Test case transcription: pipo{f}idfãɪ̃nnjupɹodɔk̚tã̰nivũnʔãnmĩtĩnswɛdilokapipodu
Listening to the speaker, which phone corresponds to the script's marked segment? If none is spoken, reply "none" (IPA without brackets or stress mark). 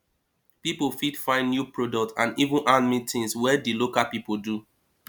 f